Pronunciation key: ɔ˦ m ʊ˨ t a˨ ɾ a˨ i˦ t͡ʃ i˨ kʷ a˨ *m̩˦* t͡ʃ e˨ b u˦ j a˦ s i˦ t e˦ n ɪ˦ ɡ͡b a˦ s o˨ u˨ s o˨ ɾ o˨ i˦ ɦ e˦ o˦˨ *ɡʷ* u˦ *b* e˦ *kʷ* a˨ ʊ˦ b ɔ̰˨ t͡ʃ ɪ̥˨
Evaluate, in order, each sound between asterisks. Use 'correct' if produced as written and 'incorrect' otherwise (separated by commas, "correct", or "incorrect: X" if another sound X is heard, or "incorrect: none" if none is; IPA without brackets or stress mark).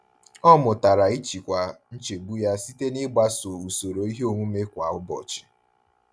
incorrect: n̩˦, incorrect: ŋʷ, incorrect: m, correct